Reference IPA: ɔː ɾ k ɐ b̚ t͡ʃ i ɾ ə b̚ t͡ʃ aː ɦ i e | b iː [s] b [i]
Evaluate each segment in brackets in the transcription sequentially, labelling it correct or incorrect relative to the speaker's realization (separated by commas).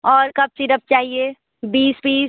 correct, incorrect